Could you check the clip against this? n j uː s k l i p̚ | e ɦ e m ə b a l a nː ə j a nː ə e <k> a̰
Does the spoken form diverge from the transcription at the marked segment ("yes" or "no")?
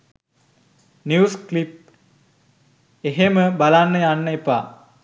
yes